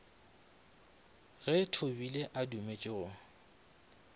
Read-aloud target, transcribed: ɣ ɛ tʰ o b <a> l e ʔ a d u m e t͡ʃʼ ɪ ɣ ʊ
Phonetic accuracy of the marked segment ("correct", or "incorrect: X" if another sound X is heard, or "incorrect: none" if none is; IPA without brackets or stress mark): incorrect: i